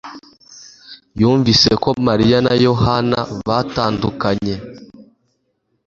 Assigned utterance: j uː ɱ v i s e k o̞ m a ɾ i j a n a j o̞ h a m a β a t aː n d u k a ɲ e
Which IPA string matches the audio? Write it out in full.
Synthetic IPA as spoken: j uː ɱ v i s e k o̞ m a ɾ i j a n a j o̞ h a n a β a t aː n d u k a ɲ e

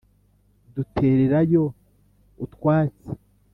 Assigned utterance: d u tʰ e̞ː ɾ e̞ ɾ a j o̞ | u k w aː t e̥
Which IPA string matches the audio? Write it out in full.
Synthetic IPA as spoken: d u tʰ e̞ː ɾ e̞ ɾ a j o̞ | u t w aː t͡s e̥

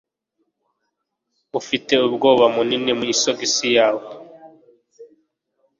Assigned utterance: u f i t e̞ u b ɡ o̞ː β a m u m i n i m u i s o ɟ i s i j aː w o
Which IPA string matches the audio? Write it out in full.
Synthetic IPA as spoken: u f i t e̞ u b ɡ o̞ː β a m u n i n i m u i s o ɡ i s i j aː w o

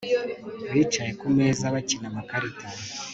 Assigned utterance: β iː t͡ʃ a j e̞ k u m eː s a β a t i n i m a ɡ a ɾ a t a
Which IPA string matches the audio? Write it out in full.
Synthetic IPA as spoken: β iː t͡ʃ a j e̞ k u m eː z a β a c i n a m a k a ɾ i t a

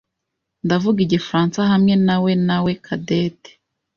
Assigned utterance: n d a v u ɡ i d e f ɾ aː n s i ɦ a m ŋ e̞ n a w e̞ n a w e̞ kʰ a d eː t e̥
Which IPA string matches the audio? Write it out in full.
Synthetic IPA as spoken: n d a v u ɡ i ɟ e f ɾ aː n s a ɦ a m ŋ e̞ n a w e̞ n a w e̞ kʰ a d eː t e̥

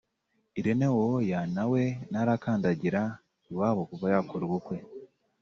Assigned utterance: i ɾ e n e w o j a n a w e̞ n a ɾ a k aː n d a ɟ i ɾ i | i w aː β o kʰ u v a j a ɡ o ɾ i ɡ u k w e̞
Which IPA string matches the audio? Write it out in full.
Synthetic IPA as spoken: i ɾ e n e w o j a n a w e̞ n a ɾ a k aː n d a ɟ i ɾ a | i w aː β o k u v a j a k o ɾ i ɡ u k w e̞

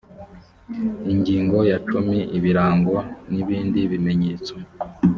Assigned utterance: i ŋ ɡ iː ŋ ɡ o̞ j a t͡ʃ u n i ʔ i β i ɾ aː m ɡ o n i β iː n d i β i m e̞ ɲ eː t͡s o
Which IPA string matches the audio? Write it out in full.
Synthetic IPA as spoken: i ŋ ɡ iː ŋ ɡ o̞ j a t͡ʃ u m i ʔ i β i ɾ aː ŋ ɡ o n i β iː n d i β i m e̞ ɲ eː t͡s o

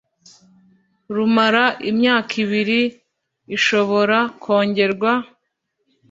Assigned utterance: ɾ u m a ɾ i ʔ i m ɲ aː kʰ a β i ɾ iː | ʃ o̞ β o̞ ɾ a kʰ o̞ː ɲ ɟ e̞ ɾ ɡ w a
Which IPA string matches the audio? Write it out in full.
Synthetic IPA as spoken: ɾ u m a ɾ a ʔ i m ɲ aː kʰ i β i ɾ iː | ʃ o̞ β o̞ ɾ a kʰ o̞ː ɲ ɟ e̞ ɾ ɡ w a

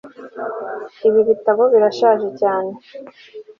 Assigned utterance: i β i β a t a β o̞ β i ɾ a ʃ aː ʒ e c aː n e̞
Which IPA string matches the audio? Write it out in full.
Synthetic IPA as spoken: i β i β i t a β o̞ β i ɾ a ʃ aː ʒ e c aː n e̞

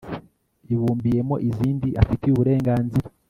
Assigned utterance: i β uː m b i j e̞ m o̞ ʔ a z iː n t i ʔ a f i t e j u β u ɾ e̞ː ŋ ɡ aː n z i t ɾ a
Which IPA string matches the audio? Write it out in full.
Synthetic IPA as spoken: i β uː m b i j e̞ m o̞ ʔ i z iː n d i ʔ a f i t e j u β u ɾ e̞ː ŋ ɡ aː n z i ɾ a

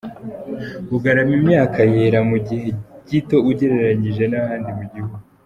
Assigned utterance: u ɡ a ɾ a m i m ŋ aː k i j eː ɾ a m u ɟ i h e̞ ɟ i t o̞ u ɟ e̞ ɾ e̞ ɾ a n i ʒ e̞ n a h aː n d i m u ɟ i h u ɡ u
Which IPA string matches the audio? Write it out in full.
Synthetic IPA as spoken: u ɡ a ɾ a m i m ɲ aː k a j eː ɾ a m u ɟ i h e̞ ɟ i t o̞ u ɟ e̞ ɾ e̞ ɾ a ɲ i ʒ e̞ n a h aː n d i m u ɟ i h u ɡ u

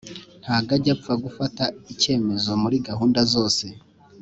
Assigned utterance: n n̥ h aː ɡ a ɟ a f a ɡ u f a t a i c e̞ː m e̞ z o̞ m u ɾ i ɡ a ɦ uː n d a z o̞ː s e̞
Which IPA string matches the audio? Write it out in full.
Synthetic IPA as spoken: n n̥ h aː ɡ a ɟ a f a ɡ u f a t a i c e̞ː m e̞ z o̞ m u ɾ i ɡ a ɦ uː n d a z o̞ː s e̞

